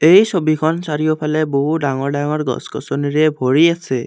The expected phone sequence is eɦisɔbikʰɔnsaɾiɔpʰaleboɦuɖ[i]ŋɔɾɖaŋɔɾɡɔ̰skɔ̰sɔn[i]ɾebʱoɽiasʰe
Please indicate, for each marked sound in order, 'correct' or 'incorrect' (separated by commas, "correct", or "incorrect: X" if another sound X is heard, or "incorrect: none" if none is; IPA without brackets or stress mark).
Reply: incorrect: a, correct